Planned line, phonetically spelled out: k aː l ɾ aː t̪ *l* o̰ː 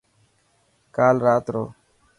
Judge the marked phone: incorrect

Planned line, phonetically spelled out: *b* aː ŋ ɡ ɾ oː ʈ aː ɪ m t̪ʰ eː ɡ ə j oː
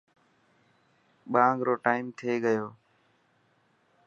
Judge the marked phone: incorrect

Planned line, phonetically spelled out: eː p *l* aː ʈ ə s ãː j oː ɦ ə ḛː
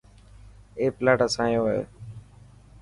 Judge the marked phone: correct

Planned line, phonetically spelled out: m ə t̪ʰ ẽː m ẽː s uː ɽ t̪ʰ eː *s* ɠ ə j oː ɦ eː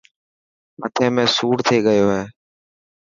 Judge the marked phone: incorrect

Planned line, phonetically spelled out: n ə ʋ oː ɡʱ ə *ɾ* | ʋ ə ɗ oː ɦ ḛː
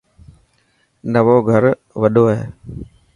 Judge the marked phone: correct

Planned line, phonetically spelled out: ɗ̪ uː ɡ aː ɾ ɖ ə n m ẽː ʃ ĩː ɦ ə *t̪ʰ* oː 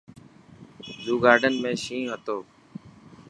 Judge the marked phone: incorrect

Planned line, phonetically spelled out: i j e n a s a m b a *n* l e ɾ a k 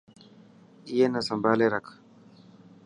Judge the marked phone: incorrect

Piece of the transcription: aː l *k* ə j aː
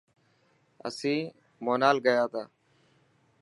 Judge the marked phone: incorrect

